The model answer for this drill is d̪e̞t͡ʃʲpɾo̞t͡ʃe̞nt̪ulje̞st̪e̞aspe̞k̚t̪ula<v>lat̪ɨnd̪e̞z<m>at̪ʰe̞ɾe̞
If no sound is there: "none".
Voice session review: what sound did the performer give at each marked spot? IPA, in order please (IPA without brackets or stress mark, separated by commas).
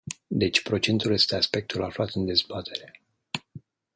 f, b